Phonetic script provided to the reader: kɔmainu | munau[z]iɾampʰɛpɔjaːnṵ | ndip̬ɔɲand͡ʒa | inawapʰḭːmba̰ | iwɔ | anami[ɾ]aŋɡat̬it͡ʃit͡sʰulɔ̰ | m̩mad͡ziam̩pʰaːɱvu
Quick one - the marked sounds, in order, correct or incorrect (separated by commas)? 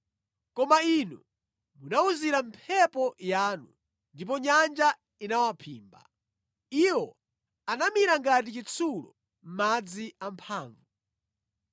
correct, correct